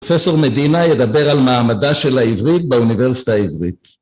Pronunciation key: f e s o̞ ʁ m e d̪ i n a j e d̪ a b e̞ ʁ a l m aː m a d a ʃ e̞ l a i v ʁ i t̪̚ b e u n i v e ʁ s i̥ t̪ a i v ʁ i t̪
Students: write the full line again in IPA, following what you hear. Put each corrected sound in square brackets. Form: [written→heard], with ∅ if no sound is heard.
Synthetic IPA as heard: f e s o̞ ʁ m e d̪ i n a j e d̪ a b e̞ ʁ a l m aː m a d a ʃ e̞ l a i v ʁ i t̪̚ b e u n i v e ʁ s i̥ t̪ a i v ʁ i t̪